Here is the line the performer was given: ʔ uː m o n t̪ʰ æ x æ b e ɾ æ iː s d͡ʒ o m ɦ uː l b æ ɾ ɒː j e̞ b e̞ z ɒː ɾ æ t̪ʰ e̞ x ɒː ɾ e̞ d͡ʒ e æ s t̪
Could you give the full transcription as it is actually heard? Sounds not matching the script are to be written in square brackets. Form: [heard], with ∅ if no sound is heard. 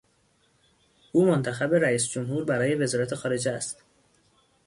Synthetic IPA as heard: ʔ uː m o n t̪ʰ æ x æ b e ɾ æ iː s d͡ʒ o m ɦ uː [ɾ] b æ ɾ ɒː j e̞ [v] e̞ z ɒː ɾ æ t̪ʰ e̞ x ɒː ɾ e̞ d͡ʒ e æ s t̪